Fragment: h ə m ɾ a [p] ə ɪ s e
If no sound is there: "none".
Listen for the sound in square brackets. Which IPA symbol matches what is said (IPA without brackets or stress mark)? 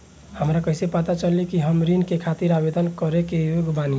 k